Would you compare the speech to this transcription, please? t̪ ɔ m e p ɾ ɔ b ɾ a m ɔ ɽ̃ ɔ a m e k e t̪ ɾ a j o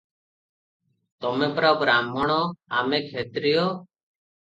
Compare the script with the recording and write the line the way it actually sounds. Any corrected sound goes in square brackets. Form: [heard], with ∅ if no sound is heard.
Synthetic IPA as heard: t̪ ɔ m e p ɾ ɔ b ɾ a m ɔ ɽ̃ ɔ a m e [kʰ] e t̪ ɾ [i] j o